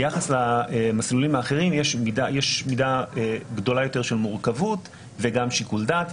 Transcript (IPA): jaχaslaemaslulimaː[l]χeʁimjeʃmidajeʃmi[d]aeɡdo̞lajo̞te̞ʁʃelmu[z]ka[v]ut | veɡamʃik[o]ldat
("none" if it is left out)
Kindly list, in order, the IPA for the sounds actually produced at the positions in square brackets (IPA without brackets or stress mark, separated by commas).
none, d, ʁ, v, u